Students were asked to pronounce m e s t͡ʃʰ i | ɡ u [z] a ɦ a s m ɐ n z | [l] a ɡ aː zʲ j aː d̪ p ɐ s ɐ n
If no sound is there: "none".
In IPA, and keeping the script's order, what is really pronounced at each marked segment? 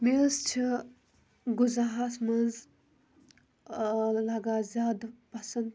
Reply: z, l

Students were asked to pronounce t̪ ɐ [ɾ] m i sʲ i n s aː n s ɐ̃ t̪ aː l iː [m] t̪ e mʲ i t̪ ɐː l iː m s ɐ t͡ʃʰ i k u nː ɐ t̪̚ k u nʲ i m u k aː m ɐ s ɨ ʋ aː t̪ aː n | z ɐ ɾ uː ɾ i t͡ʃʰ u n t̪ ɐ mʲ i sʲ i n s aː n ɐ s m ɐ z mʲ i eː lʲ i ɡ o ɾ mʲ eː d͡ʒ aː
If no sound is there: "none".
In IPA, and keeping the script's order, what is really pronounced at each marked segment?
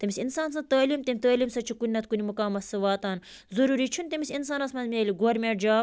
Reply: none, m

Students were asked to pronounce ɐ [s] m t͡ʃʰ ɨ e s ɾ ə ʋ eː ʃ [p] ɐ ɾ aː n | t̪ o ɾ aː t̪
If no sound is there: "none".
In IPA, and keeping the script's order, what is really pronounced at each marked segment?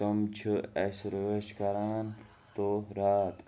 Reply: none, k

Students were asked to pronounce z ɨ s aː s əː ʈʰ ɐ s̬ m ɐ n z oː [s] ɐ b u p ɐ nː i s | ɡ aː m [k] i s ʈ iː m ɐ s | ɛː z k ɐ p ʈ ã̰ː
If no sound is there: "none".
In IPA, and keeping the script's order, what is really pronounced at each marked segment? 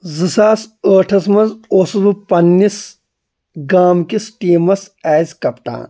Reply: s, k

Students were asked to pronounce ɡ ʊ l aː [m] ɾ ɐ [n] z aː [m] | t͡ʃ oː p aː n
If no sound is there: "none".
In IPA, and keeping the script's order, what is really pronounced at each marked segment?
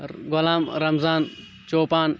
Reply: m, m, n

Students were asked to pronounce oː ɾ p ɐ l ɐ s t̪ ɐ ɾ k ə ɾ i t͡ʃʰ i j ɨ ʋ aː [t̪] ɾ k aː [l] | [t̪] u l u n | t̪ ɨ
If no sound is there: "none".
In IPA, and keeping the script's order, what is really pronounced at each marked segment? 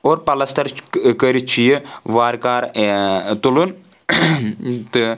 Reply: none, ɾ, t̪

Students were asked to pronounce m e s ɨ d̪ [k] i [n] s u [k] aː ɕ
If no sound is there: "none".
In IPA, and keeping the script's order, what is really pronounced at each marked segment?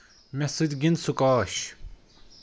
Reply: ɡ, n, k

